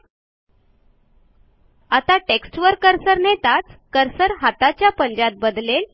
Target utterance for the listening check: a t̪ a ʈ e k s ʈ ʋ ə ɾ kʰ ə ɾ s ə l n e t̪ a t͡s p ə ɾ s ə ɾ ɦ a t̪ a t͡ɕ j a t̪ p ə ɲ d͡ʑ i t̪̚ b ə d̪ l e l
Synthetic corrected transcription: a t̪ a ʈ e k s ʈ ʋ ə ɾ k ə ɾ s ə ɾ n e t̪ a t͡s k ə ɾ s ə ɾ ɦ a t̪ a t͡ɕ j a p ə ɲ d͡ʑ a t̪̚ b ə d̪ l e l